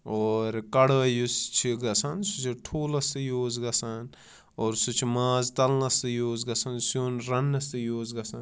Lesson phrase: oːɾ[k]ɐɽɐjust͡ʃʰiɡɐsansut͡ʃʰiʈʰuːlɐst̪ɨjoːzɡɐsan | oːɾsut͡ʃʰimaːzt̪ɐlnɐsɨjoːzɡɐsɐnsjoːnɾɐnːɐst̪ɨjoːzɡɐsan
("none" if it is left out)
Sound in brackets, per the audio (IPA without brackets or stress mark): k